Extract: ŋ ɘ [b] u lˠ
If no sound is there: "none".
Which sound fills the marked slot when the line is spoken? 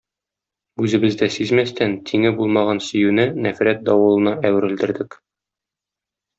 b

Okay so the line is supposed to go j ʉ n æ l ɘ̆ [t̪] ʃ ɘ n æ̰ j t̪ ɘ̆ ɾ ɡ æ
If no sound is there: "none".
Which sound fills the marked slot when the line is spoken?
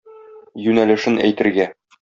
none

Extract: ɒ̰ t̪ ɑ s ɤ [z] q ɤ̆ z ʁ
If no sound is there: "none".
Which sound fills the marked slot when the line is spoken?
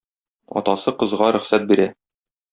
none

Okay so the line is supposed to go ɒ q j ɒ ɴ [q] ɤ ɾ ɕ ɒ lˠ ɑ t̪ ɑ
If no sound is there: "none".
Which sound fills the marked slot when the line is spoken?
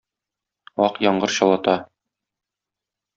ɢ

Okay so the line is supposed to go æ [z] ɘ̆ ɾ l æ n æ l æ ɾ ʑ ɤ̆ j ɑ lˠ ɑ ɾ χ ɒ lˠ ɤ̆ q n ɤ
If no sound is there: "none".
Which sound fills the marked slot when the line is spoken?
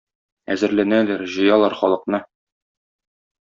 z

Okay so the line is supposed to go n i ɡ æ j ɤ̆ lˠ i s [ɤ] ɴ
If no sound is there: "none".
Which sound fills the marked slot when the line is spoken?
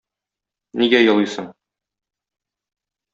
ɤ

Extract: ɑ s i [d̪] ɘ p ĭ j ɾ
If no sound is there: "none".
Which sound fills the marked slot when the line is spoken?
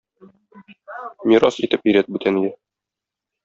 t̪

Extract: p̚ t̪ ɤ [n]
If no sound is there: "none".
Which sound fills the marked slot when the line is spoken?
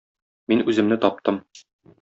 m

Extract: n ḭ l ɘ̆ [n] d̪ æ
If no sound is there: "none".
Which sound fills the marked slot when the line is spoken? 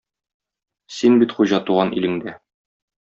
ŋ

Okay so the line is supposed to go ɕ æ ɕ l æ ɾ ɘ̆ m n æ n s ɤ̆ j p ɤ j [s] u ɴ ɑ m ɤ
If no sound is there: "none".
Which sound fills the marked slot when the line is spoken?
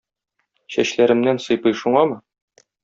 ʃ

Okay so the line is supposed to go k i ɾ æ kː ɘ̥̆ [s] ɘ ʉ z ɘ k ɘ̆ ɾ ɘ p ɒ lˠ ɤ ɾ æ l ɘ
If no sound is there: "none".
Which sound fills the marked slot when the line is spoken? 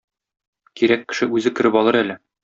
ʃ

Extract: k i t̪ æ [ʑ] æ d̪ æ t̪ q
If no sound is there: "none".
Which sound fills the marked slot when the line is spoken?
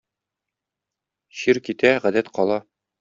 ʁ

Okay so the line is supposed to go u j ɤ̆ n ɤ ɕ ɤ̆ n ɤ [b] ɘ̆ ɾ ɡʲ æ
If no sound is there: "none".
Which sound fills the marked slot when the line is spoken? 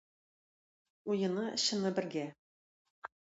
b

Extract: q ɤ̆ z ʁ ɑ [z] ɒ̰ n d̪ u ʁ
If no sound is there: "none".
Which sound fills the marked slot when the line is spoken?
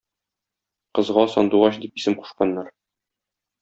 s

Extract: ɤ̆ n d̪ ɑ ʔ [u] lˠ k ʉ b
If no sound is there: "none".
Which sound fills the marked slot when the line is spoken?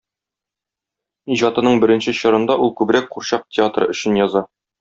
u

